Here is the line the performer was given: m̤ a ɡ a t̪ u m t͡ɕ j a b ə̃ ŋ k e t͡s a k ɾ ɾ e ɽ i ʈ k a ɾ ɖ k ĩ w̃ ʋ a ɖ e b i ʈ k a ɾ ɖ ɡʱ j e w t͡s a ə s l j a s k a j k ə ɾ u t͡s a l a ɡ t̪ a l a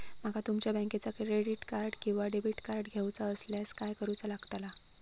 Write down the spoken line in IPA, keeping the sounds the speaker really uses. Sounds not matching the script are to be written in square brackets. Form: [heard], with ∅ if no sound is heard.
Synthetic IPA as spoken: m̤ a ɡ a t̪ u m t͡ɕ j a b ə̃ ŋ k e t͡s a k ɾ ɾ e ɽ i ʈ k a ɾ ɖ k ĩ w̃ ʋ a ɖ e b i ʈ k a ɾ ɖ ɡʱ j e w t͡s a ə s l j a s k a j k ə ɾ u t͡s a l a ɡ t̪ a l a